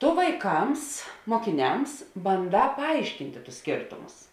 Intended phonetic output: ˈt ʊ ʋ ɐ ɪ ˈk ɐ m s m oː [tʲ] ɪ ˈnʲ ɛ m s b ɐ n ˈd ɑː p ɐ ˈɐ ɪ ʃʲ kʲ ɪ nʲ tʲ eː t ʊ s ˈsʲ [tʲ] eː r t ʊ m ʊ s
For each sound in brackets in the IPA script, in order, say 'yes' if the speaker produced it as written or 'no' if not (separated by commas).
no, no